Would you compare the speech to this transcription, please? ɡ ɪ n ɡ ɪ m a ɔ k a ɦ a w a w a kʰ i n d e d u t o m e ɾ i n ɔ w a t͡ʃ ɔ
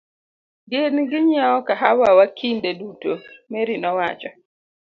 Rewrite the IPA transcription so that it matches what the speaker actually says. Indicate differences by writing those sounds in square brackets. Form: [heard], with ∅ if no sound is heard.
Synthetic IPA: ɡ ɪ n ɡ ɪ [ɲ] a ɔ k a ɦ a w a w a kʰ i n d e d u t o m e ɾ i n ɔ w a t͡ʃ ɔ